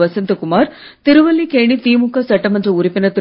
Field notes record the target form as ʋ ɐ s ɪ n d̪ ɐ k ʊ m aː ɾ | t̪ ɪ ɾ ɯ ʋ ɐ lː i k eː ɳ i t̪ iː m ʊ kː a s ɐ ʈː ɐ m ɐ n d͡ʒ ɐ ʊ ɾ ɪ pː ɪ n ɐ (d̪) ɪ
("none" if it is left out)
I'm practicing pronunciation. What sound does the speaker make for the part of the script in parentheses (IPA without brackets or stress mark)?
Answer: t̪